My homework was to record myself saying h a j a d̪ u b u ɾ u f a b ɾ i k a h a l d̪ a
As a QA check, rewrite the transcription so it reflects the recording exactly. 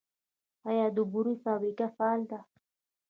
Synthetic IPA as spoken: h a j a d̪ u b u ɾ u f a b ɾ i k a f a l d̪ a

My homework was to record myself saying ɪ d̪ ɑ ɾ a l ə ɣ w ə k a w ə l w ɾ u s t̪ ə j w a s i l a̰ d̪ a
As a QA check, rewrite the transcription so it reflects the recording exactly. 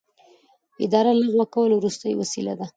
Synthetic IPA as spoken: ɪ d̪ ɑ ɾ a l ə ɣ w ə k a w ə l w ɾ u s t̪ ə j w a s i l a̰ d̪ a

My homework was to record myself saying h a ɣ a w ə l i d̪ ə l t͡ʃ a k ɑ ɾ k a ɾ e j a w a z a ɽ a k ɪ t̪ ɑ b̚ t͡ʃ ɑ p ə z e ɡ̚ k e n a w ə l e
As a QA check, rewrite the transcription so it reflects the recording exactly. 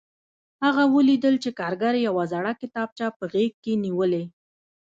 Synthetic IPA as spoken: h a ɣ a w ə l i d̪ ə l t͡ʃ e k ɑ ɾ ɡ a ɾ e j a w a z a ɽ a k ɪ t̪ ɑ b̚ t͡ʃ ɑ p ə ɣ e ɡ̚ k e n i w ə l e

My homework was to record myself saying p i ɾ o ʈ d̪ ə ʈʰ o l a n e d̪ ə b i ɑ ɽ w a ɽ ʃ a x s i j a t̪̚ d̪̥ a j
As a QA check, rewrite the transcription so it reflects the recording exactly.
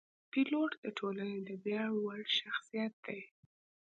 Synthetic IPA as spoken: p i l o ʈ d̪ ə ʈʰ o l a n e d̪ ə b j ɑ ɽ w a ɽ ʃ a x s i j a t̪̚ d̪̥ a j

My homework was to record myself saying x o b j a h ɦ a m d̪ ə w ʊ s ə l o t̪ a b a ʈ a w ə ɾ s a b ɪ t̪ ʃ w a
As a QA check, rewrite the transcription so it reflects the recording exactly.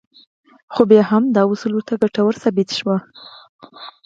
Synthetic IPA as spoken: x o b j ɑ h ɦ a m d̪ ɑ w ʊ s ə l o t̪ a ɡ a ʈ a w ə ɾ s a b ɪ t̪ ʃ w a

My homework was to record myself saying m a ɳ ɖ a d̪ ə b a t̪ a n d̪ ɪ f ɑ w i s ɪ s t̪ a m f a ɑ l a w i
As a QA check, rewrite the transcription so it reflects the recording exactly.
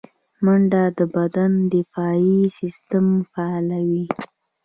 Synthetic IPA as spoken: m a ɳ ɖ a d̪ ə b a d̪ a n d̪ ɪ f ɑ i s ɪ s t̪ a m f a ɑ l a w i

